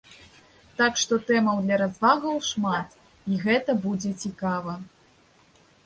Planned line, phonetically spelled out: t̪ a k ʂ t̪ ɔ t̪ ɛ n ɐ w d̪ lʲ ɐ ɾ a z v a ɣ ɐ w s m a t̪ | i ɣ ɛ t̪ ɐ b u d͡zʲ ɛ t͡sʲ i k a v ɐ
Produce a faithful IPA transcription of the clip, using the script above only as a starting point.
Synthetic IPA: t̪ a k ʂ t̪ ɔ t̪ ɛ m ɐ w d̪ lʲ ɐ ɾ a z v a ɣ ɐ w ʂ m a t̪ | i ɣ ɛ t̪ ɐ b u d͡zʲ ɛ t͡sʲ i k a v ɐ